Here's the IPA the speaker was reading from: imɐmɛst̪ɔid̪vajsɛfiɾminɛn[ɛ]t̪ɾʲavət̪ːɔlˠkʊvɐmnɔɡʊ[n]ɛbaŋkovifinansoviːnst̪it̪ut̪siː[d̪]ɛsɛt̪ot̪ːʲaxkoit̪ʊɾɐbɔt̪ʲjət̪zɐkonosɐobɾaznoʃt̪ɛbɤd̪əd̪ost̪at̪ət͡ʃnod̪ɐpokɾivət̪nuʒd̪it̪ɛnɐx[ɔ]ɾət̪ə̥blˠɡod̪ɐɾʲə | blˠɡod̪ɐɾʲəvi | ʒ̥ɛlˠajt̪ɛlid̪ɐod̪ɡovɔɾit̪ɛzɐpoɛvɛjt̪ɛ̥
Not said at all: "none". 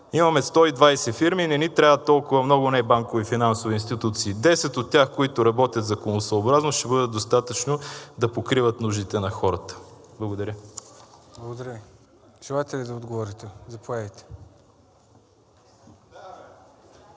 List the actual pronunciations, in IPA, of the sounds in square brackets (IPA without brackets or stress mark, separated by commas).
i, n, d̪, ɔ